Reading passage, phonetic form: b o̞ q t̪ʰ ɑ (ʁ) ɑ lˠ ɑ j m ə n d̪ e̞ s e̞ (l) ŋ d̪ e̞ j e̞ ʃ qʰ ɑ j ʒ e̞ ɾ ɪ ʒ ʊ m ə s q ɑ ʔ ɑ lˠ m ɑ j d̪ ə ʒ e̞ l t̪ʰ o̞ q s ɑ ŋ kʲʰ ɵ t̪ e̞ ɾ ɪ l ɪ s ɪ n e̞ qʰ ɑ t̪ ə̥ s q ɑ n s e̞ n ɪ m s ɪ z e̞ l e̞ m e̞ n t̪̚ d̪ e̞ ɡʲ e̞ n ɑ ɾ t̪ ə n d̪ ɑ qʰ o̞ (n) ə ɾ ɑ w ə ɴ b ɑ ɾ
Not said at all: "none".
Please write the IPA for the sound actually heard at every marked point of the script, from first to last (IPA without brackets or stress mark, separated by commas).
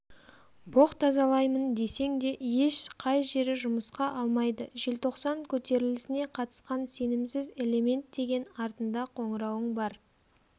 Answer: z, none, ɴ